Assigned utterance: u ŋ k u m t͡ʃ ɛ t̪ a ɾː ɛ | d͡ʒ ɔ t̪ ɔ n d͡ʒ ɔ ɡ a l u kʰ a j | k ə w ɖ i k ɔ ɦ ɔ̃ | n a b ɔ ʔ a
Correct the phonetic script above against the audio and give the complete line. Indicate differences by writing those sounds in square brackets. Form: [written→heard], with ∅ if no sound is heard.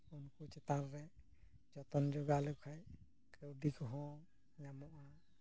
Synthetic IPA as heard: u [ŋ→n] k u [m→∅] t͡ʃ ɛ t̪ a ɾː ɛ | d͡ʒ ɔ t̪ ɔ n d͡ʒ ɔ ɡ a l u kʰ a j | k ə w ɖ i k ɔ ɦ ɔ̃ | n a [b→m] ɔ ʔ a